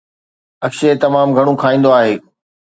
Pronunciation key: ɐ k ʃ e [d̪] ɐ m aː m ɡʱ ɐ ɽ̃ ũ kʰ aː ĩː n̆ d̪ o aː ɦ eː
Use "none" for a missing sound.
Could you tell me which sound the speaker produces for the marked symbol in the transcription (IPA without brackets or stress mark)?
t̪